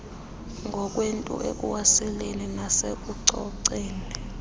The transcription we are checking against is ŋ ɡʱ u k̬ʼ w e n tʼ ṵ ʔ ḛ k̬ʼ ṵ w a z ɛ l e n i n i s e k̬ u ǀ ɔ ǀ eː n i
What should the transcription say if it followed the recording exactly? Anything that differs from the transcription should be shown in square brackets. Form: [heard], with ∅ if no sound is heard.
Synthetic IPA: ŋ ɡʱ [ɔ] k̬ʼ w e n tʼ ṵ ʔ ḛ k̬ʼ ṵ w a [s] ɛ l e n i n [a] s e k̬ u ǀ ɔ ǀ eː n i